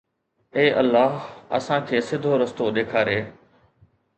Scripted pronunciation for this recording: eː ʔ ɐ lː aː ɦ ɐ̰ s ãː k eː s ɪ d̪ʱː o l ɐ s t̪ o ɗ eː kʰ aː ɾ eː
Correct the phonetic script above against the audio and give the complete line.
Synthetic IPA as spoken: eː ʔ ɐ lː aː ɦ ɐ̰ s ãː kʰ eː s ɪ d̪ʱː o ɾ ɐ s t̪ o ɗ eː kʰ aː ɾ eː